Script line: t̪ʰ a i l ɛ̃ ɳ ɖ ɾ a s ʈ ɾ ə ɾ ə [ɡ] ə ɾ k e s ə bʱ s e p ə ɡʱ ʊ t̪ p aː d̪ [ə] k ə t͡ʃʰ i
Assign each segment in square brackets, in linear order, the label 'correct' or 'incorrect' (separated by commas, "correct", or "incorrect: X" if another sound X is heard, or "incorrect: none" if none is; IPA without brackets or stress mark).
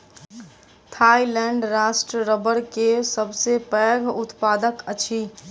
incorrect: b, correct